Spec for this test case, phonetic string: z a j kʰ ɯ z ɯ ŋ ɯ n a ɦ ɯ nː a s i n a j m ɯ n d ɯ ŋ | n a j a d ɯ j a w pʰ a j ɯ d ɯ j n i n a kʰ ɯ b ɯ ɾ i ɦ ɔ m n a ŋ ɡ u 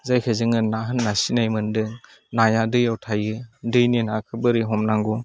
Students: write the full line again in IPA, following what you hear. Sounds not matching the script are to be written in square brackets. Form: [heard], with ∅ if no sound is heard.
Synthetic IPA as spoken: z a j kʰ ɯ z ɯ ŋ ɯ n a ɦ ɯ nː a s i n a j m ɯ n d ɯ ŋ | n a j a d ɯ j a w [tʰ] a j ɯ d ɯ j n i n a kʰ ɯ b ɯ ɾ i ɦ ɔ m n a ŋ ɡ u